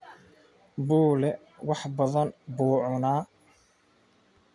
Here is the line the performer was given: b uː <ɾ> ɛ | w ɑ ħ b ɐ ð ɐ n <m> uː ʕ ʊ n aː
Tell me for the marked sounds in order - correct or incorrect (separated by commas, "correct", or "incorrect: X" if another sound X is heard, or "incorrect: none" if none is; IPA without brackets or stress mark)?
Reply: incorrect: l, incorrect: b